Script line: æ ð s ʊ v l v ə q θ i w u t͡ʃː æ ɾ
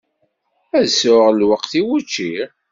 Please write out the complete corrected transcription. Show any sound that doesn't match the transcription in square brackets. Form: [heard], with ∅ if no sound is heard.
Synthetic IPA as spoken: æ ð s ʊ [ʁ] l [w] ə q θ i w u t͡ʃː [i] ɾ